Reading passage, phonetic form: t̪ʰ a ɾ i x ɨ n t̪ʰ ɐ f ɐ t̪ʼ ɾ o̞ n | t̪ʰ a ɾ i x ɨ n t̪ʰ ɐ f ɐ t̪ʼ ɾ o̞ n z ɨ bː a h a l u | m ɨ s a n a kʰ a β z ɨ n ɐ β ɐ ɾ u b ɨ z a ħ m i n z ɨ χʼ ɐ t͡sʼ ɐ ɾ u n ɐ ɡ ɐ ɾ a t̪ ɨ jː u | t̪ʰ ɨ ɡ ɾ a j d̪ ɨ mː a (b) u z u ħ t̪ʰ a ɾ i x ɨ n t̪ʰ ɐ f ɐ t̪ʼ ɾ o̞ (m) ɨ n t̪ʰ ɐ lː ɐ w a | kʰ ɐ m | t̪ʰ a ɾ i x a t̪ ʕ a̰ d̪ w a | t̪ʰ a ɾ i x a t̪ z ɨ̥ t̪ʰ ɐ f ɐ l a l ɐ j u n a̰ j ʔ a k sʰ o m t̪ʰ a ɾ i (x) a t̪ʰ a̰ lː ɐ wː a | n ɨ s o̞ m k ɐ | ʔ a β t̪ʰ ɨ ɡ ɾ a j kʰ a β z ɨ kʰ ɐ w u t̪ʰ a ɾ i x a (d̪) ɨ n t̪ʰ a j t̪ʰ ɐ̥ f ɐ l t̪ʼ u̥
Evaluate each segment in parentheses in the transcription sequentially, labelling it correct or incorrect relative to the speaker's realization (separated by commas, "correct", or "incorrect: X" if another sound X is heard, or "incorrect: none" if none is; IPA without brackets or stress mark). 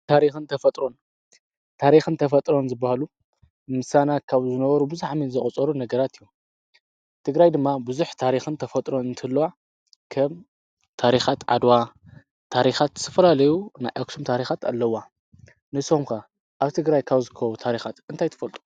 correct, incorrect: n, correct, incorrect: t̪